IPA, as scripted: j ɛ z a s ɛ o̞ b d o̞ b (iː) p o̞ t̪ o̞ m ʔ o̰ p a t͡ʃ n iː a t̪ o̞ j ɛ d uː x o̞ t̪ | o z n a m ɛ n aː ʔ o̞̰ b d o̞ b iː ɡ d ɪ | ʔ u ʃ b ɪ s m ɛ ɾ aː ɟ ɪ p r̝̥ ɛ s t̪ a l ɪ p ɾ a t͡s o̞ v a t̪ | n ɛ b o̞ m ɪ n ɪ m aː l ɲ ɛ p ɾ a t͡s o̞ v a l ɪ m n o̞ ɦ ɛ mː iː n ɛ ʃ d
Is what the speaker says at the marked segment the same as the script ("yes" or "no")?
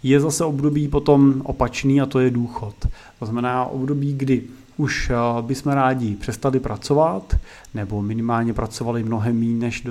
yes